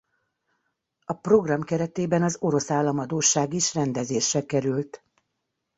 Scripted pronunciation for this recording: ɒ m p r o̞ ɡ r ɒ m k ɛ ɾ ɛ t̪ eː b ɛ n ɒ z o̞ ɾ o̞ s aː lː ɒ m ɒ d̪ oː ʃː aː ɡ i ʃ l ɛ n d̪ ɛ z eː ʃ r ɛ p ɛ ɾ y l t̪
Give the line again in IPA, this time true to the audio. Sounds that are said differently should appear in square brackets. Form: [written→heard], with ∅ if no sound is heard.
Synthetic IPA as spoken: ɒ [m→∅] p r o̞ ɡ r ɒ m k ɛ ɾ ɛ t̪ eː b ɛ n ɒ z o̞ ɾ o̞ s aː lː ɒ m ɒ d̪ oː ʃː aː ɡ i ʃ [l→r] ɛ n d̪ ɛ z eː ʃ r ɛ [p→k] ɛ ɾ y l t̪